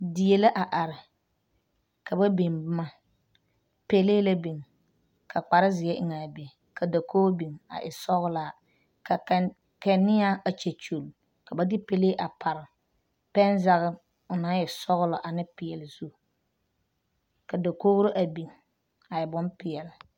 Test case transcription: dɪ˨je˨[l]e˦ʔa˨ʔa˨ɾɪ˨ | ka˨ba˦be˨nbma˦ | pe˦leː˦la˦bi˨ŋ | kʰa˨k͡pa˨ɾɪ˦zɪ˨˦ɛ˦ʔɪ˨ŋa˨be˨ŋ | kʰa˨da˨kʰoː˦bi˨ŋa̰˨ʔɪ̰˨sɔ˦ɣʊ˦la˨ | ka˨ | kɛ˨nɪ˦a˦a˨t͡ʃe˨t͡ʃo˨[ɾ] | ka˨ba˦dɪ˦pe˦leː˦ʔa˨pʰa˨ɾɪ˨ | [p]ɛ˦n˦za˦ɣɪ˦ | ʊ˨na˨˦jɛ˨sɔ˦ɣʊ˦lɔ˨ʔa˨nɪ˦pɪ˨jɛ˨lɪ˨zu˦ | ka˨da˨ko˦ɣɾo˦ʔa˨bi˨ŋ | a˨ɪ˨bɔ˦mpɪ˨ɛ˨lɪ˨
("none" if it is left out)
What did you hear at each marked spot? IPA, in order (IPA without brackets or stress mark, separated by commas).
l, l, p